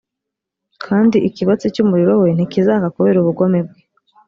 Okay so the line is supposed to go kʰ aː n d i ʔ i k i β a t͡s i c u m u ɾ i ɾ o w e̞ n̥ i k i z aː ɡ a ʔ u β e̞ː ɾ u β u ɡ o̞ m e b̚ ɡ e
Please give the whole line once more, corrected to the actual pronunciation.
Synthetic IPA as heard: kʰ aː n d i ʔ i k i β a t͡s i c u m u ɾ i ɾ o w e̞ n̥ i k i z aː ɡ a k u β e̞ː ɾ u β u ɡ o̞ m e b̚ ɡ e